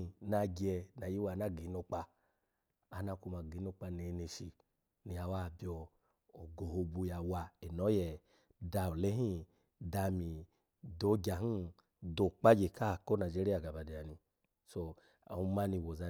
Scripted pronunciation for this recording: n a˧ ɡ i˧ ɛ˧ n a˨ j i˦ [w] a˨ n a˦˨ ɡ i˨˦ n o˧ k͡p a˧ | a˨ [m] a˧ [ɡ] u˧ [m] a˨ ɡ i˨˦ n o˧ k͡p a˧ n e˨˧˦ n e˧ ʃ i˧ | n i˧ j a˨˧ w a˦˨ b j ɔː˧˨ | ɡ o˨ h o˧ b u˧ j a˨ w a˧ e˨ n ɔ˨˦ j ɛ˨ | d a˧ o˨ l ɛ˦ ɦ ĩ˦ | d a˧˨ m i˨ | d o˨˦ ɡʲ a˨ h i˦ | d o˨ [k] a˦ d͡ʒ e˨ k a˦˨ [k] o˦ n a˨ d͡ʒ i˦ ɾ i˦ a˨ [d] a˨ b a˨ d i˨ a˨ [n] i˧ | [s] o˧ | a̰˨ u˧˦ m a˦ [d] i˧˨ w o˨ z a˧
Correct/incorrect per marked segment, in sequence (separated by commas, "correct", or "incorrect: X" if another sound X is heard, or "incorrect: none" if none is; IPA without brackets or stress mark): correct, incorrect: n, incorrect: k, correct, incorrect: k͡p, correct, incorrect: ɡ, correct, correct, incorrect: n